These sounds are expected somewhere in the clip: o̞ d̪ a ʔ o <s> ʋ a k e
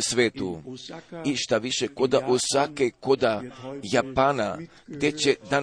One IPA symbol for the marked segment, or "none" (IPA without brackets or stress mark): s